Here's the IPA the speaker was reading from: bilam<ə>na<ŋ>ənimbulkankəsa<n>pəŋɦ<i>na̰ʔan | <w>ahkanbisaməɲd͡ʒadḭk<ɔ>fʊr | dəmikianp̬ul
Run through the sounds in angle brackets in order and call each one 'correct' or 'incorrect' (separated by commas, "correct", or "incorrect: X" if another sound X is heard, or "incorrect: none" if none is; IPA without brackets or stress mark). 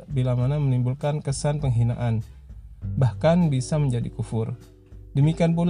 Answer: incorrect: a, incorrect: m, correct, correct, incorrect: b, incorrect: u